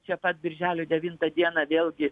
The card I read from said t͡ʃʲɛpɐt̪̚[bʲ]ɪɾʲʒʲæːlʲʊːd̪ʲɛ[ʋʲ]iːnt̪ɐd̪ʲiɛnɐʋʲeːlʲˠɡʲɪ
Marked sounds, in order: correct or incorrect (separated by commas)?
correct, correct